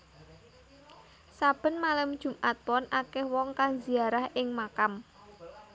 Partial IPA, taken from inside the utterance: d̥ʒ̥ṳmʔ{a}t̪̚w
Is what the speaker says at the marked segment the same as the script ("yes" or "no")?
yes